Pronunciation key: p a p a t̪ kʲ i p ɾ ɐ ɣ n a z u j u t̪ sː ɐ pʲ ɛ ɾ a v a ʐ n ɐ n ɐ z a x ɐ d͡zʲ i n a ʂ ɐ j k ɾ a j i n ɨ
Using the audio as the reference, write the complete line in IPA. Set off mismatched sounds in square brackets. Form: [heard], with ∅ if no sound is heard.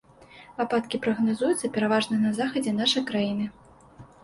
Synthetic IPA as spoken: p a p a t̪ kʲ i p ɾ ɐ ɣ n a z u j u t̪ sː ɐ pʲ ɛ ɾ a v a ʐ n ɐ n ɐ z a x ɐ d͡zʲ [ɛ] n a ʂ ɐ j k ɾ a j i n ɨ